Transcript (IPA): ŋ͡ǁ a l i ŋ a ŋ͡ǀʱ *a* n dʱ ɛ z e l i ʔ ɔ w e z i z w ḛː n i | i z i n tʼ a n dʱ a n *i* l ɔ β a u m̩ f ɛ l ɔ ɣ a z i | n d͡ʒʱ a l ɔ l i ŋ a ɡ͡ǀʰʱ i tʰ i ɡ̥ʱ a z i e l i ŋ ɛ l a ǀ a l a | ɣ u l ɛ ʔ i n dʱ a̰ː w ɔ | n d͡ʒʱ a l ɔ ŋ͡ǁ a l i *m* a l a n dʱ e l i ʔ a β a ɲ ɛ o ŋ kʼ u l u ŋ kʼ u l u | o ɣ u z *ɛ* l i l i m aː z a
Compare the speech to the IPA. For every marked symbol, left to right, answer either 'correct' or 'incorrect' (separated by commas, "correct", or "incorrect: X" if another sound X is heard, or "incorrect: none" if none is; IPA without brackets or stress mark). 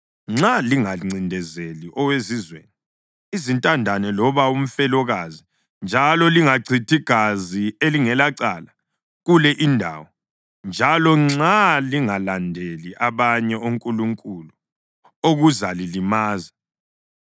incorrect: i, incorrect: ɛ, incorrect: ŋ, incorrect: a